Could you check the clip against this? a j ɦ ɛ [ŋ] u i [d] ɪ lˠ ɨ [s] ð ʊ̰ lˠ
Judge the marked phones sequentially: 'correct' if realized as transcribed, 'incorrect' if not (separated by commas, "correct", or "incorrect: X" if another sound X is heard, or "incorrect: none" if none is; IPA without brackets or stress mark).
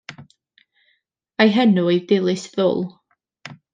incorrect: n, correct, correct